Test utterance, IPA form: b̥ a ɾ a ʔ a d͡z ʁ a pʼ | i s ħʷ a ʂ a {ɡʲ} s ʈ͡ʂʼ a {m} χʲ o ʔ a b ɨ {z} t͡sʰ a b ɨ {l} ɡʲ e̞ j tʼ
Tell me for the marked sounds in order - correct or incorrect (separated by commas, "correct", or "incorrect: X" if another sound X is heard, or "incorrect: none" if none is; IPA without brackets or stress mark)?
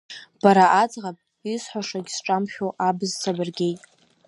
correct, correct, correct, incorrect: r